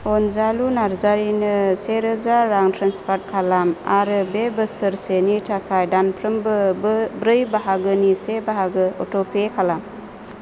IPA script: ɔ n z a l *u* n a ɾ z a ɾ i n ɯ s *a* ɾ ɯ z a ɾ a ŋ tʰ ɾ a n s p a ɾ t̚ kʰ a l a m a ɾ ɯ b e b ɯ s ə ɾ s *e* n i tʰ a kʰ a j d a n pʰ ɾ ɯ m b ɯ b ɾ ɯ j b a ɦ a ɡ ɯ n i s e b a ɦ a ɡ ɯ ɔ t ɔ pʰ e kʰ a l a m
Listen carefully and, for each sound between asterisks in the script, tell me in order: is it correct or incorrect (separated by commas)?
correct, incorrect, correct